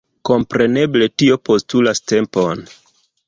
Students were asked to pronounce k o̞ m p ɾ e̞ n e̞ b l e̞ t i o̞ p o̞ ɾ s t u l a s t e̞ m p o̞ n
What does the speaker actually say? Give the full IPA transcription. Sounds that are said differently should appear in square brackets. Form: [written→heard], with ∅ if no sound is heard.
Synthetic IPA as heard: k o̞ m p ɾ e̞ n e̞ b l e̞ t i o̞ p o̞ [ɾ→∅] s t u l a s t e̞ m p o̞ n